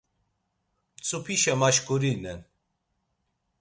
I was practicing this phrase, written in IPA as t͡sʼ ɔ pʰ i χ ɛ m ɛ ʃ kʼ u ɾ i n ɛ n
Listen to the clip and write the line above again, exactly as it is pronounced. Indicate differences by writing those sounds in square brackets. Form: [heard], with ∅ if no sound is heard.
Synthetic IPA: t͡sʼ [u] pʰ i [ʃ] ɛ m [a] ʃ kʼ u ɾ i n ɛ n